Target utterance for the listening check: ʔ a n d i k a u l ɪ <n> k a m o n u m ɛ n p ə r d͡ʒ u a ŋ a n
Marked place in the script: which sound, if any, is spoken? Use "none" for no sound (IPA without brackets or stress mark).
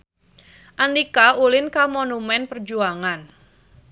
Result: n